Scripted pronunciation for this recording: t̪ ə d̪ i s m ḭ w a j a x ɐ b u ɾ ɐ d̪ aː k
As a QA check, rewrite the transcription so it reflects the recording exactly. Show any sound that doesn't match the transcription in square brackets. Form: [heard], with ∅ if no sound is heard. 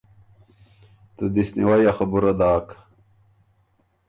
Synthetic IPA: t̪ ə d̪ i s [n] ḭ w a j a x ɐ b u ɾ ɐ d̪ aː k